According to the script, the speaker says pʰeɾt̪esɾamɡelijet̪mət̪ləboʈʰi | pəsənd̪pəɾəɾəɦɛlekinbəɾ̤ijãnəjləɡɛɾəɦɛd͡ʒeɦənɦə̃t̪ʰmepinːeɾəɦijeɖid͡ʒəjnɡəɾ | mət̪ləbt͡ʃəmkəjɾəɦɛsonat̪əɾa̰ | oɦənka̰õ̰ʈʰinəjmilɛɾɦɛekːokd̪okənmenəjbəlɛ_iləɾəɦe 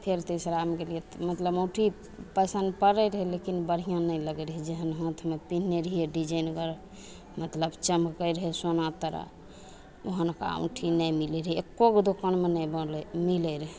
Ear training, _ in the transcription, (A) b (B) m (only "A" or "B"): B